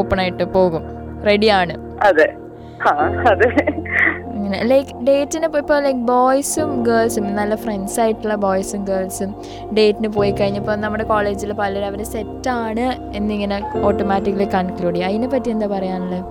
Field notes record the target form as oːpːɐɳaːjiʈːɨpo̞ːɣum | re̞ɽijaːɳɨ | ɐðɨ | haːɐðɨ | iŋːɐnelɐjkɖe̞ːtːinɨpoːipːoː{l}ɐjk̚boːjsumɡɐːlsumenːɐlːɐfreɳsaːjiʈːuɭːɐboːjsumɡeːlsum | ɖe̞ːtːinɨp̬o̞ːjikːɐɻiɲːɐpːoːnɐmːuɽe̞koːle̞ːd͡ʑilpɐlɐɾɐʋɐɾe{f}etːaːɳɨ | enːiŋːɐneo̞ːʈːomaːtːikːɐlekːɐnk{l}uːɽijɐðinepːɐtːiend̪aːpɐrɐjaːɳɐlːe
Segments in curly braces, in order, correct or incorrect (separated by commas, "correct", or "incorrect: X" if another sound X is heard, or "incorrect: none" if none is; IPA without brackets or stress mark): correct, incorrect: s, correct